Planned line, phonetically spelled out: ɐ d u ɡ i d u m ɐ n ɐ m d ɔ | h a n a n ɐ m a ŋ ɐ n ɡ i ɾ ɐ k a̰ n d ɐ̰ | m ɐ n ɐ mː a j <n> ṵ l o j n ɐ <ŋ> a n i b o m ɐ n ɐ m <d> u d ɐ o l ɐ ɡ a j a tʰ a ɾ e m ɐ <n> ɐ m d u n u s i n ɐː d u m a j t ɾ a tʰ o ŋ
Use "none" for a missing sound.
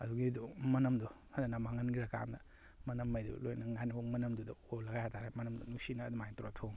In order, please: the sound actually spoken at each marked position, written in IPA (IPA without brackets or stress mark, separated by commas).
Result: d, ŋ, d, n